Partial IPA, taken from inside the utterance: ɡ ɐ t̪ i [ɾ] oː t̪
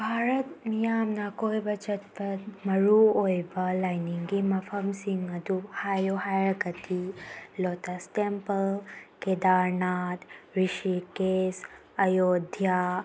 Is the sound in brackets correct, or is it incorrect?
incorrect